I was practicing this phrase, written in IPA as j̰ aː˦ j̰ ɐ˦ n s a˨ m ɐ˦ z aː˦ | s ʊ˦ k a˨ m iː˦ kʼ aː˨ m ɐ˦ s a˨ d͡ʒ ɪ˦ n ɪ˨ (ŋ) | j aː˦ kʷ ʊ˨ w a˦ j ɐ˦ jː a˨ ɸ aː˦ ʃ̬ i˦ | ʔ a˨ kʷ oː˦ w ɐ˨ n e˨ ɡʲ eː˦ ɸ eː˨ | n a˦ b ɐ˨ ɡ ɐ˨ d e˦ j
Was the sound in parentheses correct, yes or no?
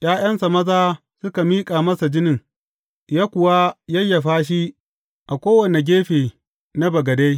yes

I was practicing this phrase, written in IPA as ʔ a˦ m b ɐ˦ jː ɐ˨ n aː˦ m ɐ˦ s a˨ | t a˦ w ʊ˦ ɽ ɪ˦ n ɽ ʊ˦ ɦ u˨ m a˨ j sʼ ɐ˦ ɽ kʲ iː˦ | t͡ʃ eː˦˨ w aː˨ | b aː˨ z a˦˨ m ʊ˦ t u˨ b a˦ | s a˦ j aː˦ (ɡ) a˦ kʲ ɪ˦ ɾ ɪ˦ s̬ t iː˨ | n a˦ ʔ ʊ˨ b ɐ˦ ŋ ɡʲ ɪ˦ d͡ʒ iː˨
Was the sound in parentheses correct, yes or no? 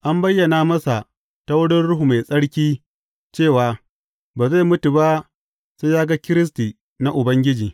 yes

